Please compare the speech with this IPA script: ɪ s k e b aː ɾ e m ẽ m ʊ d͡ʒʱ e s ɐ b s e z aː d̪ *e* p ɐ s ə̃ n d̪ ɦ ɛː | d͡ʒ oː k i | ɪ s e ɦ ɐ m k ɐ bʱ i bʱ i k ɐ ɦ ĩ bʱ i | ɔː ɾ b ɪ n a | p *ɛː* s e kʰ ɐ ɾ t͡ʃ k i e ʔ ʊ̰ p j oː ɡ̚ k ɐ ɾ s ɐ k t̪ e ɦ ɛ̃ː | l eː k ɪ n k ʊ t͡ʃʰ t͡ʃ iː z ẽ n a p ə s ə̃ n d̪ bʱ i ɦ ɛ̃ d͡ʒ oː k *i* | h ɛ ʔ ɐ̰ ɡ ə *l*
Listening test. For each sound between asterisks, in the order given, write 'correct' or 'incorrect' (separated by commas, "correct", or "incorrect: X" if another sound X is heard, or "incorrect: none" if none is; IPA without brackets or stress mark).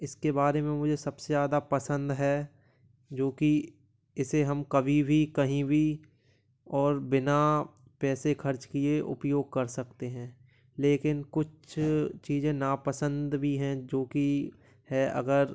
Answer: incorrect: a, correct, correct, incorrect: ɾ